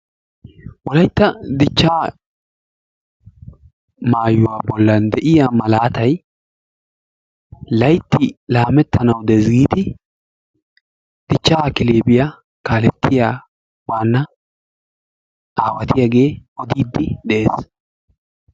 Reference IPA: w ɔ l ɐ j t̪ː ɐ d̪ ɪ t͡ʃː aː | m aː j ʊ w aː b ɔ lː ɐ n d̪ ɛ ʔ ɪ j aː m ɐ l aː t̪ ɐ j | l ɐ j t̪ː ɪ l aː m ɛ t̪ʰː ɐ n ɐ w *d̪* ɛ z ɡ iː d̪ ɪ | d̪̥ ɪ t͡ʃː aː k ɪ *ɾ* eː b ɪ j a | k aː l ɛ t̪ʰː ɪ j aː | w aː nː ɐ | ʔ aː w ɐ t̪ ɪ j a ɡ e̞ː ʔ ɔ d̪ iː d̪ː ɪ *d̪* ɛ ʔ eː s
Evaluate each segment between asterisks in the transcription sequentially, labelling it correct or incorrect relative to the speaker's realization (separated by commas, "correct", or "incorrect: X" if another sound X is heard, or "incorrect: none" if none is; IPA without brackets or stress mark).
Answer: correct, incorrect: l, correct